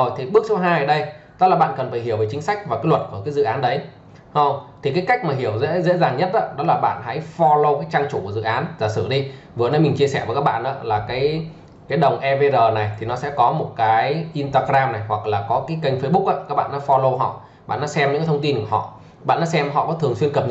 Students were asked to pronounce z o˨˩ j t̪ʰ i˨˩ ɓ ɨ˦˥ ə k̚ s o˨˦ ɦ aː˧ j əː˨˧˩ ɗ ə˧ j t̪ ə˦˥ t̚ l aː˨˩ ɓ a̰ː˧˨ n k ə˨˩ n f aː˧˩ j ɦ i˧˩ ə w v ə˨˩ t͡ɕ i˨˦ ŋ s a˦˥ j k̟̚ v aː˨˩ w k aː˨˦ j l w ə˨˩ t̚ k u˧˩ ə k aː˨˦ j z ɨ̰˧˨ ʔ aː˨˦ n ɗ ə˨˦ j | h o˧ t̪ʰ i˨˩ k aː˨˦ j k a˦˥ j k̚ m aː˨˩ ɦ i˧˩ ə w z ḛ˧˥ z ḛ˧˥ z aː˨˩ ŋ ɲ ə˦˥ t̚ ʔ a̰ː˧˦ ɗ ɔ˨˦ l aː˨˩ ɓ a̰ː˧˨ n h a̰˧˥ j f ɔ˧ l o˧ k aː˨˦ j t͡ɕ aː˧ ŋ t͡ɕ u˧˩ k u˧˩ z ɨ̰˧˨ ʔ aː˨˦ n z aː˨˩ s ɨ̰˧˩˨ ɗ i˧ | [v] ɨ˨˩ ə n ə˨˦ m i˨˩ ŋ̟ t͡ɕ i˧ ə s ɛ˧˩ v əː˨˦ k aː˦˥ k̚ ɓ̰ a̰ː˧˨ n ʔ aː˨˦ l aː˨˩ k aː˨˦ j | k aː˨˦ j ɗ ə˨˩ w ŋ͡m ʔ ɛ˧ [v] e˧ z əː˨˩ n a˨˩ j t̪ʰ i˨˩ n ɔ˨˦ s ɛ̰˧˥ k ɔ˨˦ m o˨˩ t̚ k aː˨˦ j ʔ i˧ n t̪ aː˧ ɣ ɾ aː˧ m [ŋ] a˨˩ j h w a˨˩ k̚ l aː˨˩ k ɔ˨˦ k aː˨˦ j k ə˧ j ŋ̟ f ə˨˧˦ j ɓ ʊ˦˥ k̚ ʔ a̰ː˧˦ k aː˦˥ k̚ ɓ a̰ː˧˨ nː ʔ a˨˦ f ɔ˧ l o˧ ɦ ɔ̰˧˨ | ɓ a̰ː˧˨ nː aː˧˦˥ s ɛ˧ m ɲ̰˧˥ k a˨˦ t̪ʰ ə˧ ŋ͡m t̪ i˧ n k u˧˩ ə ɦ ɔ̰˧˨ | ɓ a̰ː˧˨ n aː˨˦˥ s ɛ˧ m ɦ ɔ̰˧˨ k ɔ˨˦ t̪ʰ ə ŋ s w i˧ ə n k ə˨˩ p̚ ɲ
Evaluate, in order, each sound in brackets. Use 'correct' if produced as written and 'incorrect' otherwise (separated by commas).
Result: correct, correct, incorrect